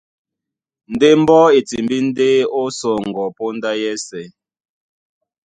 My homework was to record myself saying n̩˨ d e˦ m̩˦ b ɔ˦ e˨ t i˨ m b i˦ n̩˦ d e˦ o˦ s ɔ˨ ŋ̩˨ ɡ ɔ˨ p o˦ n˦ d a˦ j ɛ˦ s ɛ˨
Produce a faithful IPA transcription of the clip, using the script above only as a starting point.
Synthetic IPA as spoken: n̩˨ d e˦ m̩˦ b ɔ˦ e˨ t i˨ m b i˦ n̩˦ d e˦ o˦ s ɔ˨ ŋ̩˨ ɡ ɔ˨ p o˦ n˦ d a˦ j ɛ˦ s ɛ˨